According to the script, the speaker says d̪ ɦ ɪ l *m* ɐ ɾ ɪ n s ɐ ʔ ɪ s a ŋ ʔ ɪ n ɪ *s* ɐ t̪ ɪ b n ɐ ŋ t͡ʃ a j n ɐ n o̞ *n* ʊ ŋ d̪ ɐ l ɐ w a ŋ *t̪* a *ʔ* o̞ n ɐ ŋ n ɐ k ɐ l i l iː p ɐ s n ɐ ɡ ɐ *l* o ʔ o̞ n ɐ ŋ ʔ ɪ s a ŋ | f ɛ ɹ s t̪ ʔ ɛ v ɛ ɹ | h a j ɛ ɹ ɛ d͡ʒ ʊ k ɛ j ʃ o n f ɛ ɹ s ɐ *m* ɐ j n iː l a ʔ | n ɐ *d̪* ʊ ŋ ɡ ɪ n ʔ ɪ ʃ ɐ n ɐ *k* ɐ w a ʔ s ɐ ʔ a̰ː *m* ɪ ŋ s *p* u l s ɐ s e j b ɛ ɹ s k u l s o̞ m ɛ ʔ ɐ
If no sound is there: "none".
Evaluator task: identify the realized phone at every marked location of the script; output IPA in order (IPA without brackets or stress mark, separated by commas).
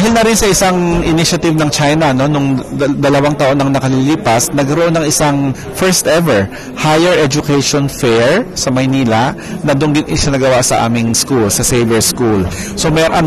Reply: n, ʃ, n, t̪, ʔ, ɾ, m, d̪, ɡ, m, k